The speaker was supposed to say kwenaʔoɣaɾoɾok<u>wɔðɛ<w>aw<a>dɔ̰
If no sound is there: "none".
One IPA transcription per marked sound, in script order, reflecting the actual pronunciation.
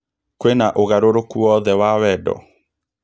u, w, ɛ

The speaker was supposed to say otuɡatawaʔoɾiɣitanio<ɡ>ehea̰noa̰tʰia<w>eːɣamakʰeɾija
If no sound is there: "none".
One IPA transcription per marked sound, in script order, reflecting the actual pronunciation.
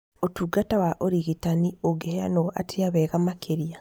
ɡ, β

